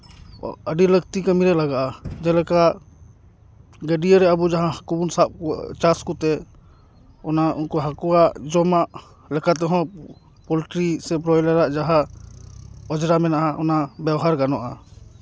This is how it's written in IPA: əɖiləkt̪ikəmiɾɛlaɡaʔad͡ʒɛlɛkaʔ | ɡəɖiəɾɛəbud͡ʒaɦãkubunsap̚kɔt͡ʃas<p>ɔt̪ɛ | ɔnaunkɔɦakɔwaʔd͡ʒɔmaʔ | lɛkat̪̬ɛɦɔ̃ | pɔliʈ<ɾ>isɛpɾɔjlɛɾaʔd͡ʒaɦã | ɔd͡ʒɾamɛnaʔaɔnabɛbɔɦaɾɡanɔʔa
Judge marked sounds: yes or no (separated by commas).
no, yes